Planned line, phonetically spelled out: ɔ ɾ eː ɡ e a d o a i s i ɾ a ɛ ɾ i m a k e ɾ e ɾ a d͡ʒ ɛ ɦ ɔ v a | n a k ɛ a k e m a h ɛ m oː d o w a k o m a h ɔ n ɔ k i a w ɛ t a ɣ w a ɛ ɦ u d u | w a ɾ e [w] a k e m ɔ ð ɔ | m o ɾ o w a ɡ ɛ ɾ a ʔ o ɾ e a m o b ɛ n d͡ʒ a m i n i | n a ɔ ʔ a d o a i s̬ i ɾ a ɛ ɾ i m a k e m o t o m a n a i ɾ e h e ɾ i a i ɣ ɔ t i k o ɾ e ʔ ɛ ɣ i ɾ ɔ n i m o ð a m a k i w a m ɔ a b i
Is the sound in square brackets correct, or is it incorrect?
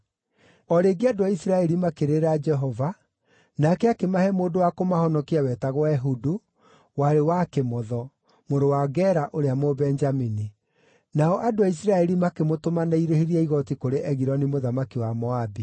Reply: correct